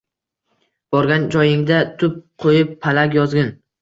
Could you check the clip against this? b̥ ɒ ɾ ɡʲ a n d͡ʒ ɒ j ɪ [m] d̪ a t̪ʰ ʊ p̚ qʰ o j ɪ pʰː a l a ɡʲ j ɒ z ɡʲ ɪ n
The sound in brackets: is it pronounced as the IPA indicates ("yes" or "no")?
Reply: no